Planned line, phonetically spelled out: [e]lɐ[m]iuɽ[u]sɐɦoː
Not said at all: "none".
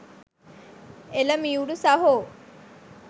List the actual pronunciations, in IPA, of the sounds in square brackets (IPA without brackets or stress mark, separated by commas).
e, m, u